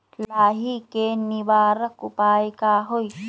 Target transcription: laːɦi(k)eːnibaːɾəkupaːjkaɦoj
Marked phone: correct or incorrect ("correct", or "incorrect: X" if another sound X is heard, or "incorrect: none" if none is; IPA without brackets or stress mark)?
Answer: correct